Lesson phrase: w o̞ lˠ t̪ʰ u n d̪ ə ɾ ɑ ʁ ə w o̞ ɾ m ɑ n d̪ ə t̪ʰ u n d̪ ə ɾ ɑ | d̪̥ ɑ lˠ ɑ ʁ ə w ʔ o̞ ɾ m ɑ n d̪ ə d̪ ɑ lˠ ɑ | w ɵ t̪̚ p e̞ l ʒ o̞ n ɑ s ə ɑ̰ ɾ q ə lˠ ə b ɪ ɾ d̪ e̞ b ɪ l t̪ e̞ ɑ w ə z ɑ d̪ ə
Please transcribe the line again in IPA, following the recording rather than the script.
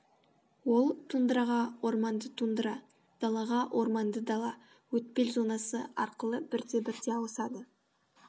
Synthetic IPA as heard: w o̞ lˠ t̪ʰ u n d̪ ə ɾ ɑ ʁ ɑ w o̞ ɾ m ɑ n d̪ ə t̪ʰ u n d̪ ə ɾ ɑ | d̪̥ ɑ lˠ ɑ ʁ ɑ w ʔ o̞ ɾ m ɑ n d̪ ə d̪ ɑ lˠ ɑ | w ɵ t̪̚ p e̞ l z o̞ n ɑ s ə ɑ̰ ɾ q ə lˠ ə b ɪ ɾ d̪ e̞ b ɪ ɾ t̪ e̞ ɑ w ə s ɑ d̪ ə